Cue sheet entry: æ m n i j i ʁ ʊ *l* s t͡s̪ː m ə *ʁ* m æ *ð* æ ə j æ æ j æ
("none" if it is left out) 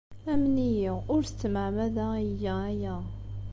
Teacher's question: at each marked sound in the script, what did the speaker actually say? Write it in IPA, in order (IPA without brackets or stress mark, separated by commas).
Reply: ɾ, ʕ, ð